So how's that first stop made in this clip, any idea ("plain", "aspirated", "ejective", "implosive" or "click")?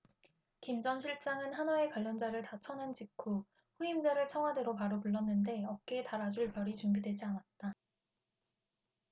plain